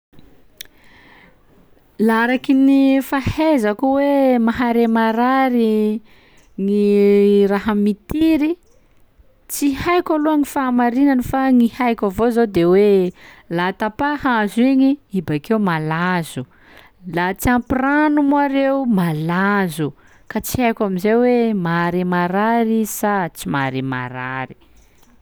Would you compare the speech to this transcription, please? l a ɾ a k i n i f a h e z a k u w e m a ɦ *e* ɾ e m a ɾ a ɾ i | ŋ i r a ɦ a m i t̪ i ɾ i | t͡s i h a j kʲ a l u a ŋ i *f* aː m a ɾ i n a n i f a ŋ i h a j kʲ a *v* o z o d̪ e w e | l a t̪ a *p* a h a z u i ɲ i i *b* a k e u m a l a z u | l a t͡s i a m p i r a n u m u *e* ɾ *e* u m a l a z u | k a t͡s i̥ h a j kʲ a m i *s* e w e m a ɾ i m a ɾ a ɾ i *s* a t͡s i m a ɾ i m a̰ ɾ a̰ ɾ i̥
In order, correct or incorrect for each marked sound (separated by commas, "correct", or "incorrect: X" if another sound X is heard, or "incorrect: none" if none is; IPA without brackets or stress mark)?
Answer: incorrect: a, correct, correct, correct, correct, incorrect: a, correct, incorrect: z, correct